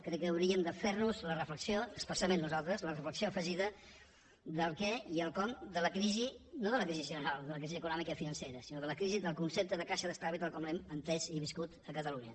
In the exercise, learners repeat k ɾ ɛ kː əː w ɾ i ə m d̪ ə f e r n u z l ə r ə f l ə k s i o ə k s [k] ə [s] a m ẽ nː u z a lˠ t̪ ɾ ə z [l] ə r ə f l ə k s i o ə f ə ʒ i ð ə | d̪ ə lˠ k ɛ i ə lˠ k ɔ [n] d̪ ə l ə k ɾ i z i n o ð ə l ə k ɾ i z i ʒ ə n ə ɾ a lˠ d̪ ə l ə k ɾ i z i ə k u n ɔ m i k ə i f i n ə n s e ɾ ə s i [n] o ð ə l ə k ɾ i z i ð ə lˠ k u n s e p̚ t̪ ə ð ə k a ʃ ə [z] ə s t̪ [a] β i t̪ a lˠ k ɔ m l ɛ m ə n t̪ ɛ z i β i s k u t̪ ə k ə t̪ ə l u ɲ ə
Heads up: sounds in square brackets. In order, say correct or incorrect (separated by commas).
incorrect, correct, correct, incorrect, correct, incorrect, correct